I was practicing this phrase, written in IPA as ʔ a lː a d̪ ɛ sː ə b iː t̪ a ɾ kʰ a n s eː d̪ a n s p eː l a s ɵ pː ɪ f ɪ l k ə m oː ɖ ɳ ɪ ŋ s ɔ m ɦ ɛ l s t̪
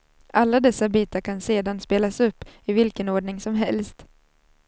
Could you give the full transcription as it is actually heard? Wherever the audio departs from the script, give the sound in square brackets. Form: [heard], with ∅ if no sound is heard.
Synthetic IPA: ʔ a lː a d̪ ɛ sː [a] b iː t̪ a ɾ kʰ a n s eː d̪ a n s p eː l a s ɵ pː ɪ [v] ɪ l k ə [n] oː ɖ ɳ ɪ ŋ s ɔ m ɦ ɛ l s t̪